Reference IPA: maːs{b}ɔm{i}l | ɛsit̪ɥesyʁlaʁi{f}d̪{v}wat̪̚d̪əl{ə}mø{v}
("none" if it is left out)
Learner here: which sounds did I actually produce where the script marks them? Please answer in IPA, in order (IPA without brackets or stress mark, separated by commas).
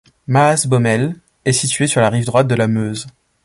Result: b, ɛ, v, ʁ, a, z